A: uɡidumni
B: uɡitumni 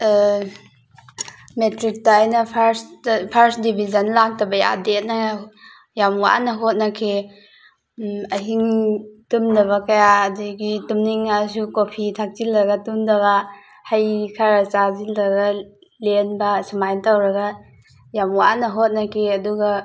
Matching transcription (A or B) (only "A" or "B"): B